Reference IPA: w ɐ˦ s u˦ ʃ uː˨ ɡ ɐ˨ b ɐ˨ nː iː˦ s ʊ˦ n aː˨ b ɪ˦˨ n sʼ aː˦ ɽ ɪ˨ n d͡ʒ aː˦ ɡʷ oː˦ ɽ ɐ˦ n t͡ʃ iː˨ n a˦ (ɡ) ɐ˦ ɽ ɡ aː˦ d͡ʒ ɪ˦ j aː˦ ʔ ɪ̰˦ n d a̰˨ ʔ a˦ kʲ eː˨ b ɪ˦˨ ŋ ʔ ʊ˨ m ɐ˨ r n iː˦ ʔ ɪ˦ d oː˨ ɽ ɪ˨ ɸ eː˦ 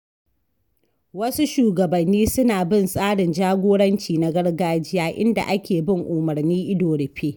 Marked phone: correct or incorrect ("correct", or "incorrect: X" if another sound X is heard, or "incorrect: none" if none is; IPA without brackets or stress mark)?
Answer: correct